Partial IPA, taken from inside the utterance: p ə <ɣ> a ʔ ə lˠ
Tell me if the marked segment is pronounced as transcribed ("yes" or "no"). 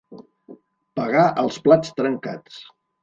yes